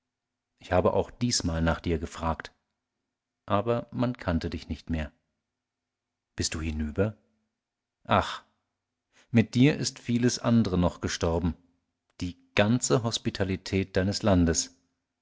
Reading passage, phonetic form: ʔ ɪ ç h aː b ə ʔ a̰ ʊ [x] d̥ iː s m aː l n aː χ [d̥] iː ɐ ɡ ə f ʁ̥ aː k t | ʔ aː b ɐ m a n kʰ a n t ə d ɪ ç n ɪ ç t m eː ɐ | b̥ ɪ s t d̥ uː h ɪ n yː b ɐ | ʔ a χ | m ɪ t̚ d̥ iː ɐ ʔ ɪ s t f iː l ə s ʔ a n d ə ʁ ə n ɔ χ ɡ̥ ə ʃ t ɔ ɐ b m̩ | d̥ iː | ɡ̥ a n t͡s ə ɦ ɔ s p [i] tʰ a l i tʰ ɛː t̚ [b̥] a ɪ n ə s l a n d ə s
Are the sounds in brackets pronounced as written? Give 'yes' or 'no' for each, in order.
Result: yes, yes, yes, no

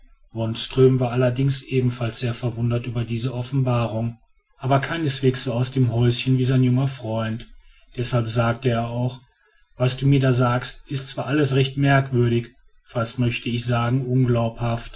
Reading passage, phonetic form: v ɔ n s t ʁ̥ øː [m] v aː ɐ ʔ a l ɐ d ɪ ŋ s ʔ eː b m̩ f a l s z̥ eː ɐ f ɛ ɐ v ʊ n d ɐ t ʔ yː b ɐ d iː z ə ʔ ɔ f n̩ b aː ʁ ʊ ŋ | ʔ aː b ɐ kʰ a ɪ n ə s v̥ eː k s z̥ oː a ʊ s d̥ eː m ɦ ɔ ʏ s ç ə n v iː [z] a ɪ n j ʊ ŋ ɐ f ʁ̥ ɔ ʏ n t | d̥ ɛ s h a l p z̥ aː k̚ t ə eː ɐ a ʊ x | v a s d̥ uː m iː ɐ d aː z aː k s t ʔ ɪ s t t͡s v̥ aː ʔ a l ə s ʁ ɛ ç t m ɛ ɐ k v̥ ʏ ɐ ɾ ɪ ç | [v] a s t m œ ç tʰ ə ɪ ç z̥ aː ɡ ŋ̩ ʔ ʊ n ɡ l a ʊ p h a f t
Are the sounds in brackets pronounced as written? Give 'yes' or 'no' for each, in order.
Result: yes, yes, no

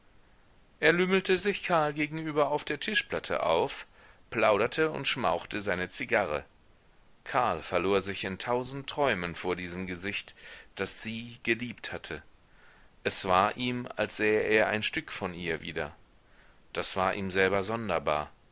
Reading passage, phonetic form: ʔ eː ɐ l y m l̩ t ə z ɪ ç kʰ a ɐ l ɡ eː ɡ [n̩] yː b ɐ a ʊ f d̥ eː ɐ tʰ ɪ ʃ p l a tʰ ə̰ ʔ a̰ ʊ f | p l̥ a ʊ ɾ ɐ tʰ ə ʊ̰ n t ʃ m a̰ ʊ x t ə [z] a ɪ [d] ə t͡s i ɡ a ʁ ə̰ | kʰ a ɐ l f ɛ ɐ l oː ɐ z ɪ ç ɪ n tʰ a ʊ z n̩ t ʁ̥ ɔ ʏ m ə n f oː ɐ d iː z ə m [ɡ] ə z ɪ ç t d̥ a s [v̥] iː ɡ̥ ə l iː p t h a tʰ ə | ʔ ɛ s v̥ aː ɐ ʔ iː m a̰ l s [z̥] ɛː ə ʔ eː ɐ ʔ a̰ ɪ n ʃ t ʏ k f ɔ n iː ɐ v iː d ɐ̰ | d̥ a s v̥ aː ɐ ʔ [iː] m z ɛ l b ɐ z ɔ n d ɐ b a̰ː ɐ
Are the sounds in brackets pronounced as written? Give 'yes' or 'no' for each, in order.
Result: no, yes, no, yes, no, yes, yes

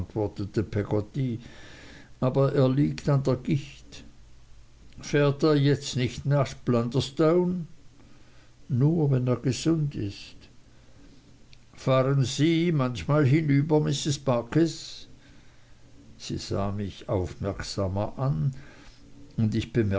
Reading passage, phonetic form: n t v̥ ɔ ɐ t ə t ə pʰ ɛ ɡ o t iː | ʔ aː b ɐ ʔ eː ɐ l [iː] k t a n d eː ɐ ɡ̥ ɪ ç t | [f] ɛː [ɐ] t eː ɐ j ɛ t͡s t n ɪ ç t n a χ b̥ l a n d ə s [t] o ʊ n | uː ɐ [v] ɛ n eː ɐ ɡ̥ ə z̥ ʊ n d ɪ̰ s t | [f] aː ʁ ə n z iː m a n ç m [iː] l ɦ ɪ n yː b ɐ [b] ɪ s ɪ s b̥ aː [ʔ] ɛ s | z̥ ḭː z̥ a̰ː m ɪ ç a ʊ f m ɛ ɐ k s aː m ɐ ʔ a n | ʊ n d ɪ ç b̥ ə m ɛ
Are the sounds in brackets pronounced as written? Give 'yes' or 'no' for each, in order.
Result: yes, yes, yes, yes, yes, yes, no, no, no

